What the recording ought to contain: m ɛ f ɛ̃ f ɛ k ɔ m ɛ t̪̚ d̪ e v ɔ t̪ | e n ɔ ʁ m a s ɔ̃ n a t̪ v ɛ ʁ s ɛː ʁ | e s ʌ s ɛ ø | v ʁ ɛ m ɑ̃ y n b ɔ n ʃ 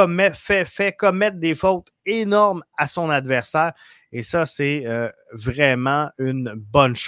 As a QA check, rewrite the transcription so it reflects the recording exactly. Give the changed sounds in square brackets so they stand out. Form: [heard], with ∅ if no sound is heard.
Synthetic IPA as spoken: m ɛ f [ɛ] f ɛ k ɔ m ɛ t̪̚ d̪ e [f] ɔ t̪ | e n ɔ ʁ m a s ɔ̃ n a [d̪] v ɛ ʁ s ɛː ʁ | e s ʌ s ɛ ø | v ʁ ɛ m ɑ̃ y n b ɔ n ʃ